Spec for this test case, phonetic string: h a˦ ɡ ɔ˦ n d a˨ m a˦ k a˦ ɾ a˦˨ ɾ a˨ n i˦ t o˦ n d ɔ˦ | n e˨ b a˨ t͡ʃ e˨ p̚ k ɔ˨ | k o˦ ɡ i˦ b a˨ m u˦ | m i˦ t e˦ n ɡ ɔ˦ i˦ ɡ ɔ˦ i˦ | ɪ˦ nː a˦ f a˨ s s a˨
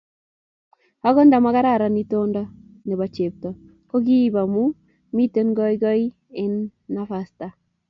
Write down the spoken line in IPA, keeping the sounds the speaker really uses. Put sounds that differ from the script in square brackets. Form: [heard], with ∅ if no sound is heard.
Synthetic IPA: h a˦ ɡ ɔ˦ n d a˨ m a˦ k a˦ ɾ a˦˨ ɾ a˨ n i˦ t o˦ n d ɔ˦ | n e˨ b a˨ t͡ʃ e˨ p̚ [t] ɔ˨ | k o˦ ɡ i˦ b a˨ m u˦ | m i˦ t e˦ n ɡ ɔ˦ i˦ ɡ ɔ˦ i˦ | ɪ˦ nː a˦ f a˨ s [t] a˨